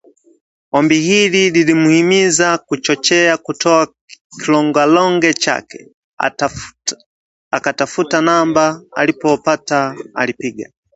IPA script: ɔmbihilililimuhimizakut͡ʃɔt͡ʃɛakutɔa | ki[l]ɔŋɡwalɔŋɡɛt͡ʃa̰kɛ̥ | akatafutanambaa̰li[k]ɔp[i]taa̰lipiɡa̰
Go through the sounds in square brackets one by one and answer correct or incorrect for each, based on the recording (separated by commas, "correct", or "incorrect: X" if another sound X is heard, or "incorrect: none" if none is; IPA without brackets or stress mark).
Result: correct, incorrect: p, incorrect: a